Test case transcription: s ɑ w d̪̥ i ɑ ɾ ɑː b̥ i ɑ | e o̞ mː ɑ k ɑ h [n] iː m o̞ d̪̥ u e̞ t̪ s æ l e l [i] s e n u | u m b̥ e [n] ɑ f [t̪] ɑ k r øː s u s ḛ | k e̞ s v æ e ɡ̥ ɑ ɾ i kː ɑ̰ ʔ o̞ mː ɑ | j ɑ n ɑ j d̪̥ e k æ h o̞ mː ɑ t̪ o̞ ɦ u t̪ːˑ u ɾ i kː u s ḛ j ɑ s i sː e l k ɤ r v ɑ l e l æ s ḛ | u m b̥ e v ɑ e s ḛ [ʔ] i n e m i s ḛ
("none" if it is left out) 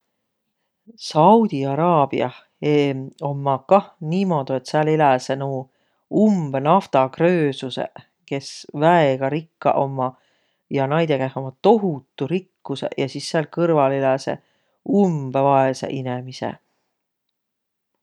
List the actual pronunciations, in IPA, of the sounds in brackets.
n, æ, n, t̪, ʔ

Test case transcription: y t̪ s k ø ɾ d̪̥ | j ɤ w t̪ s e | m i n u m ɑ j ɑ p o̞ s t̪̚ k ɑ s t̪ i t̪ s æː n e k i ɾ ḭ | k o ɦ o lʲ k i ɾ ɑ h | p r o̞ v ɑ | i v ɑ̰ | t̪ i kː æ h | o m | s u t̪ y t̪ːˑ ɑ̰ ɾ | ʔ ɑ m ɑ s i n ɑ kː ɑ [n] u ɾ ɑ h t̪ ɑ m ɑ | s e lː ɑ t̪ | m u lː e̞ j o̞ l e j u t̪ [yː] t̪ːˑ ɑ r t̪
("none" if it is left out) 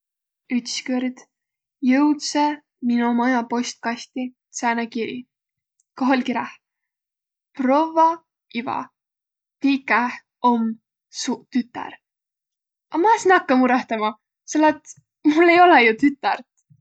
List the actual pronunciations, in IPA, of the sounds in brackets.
m, y

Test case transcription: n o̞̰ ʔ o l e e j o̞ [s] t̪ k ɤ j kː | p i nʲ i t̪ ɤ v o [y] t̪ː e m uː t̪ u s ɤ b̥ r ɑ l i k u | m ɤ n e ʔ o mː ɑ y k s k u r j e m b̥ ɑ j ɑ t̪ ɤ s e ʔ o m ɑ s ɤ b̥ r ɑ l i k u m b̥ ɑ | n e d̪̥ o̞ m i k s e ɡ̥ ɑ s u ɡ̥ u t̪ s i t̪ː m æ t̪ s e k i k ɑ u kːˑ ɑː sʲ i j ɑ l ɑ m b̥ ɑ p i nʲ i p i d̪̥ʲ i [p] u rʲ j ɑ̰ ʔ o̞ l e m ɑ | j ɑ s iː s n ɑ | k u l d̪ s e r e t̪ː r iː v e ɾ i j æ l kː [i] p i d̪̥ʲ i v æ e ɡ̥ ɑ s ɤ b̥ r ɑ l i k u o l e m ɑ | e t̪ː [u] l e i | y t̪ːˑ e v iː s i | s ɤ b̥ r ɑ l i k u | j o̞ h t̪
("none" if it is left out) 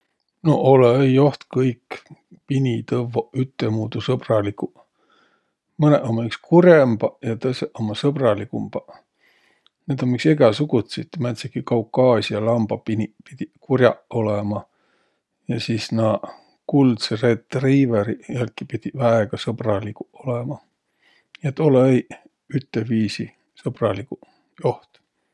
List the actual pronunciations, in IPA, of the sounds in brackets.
h, y, k, i, o

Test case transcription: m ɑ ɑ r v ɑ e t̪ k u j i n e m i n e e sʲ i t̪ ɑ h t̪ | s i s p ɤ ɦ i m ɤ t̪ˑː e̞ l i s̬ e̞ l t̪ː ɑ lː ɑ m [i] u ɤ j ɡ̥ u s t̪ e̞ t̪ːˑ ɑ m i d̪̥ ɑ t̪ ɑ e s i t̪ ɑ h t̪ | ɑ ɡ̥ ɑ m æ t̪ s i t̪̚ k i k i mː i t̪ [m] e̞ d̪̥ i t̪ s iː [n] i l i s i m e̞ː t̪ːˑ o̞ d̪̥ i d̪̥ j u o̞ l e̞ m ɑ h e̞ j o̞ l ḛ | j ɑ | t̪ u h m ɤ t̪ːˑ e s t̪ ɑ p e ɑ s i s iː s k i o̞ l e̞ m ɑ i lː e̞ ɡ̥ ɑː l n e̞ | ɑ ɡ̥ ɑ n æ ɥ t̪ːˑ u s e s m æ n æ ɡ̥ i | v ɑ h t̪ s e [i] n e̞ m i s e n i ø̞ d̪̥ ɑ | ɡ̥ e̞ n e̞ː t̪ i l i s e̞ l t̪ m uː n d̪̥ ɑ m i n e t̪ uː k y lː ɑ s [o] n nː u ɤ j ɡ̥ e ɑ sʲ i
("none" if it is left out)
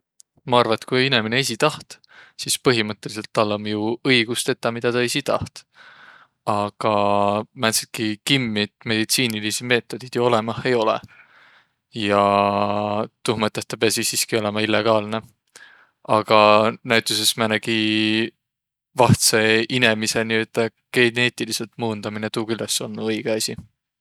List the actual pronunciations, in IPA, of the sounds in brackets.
j, m, n, i, o

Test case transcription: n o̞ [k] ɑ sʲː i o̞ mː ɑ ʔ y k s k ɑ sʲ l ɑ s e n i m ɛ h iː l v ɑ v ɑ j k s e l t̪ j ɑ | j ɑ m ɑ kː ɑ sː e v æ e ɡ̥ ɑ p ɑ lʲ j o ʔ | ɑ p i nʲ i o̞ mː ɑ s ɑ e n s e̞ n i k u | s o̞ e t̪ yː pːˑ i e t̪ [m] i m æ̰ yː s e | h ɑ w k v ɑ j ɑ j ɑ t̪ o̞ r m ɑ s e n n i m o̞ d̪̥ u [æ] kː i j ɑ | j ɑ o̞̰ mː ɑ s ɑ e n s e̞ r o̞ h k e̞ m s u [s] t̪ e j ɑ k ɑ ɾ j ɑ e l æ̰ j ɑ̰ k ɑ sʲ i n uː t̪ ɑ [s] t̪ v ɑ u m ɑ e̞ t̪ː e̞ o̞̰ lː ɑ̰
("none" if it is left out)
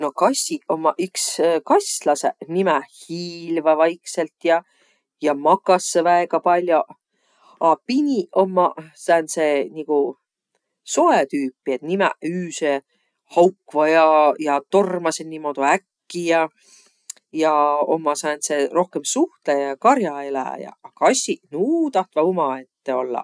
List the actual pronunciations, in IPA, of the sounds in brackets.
k, n, æ, h, h

